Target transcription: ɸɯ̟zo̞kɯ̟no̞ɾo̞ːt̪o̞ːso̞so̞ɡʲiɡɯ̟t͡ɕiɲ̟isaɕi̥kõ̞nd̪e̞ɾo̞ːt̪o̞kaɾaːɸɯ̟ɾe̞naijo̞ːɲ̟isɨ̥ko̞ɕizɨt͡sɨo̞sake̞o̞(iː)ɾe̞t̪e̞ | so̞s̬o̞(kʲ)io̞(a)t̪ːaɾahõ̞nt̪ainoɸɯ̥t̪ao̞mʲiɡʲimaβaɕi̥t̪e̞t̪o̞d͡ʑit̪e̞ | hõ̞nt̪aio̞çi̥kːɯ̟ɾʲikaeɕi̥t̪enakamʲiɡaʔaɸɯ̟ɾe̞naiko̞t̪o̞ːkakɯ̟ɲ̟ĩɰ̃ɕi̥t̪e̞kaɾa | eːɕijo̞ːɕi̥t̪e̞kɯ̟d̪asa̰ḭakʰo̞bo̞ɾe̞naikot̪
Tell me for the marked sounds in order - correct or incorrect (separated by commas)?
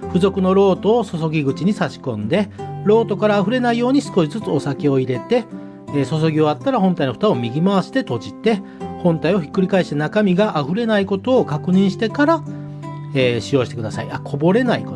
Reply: incorrect, incorrect, correct